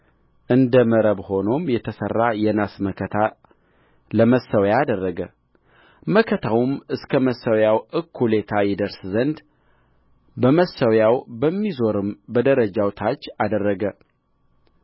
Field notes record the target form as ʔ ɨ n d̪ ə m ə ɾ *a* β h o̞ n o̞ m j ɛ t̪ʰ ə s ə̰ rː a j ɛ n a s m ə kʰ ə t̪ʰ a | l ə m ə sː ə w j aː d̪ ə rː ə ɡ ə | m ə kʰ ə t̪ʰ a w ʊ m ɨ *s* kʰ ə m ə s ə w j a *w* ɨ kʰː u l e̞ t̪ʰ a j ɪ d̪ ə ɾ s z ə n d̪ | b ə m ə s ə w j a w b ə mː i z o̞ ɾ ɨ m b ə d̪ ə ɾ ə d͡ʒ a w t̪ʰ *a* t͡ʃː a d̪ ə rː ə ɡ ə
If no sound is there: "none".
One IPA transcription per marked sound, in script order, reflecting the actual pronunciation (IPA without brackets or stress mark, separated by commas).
ə, s, w, a